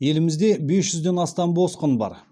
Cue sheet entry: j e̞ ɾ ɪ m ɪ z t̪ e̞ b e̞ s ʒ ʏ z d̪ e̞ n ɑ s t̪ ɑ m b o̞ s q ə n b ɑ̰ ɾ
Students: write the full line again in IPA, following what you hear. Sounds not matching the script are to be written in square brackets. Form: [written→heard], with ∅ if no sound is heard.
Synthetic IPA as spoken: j e̞ [ɾ→l] ɪ m ɪ z [t̪→d̪] e̞ b e̞ s ʒ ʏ z d̪ e̞ n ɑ s t̪ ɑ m b o̞ s q ə n b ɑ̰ ɾ